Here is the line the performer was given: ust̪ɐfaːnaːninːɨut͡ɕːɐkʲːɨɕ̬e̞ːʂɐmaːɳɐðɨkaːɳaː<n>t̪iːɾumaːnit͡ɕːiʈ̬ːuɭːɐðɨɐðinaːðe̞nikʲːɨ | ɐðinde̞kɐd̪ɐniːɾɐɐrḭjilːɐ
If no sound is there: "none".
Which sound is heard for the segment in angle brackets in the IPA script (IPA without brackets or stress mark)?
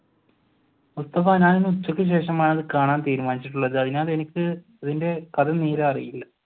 n